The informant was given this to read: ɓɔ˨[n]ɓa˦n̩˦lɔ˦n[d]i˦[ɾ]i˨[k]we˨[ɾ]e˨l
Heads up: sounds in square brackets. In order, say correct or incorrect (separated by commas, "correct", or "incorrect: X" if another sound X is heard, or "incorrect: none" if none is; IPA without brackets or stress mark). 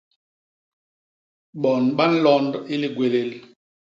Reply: correct, correct, incorrect: l, incorrect: ɡ, incorrect: l